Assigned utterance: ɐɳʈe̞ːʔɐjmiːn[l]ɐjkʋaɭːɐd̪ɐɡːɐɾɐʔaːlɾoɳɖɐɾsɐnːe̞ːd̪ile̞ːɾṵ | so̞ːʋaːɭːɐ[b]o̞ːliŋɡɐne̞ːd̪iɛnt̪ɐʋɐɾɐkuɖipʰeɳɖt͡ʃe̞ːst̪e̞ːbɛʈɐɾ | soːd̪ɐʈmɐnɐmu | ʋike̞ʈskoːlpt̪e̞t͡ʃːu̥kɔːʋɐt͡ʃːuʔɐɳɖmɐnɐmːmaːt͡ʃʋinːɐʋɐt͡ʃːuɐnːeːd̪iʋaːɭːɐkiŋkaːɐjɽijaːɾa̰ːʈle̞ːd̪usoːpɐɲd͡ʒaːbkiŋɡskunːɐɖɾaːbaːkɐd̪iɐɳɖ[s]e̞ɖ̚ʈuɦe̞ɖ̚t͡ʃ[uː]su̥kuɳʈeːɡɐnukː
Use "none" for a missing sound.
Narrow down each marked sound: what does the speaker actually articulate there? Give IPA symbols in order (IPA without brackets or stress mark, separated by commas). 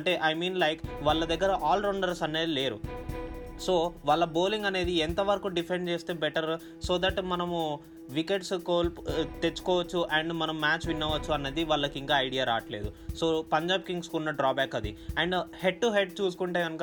l, b, h, uː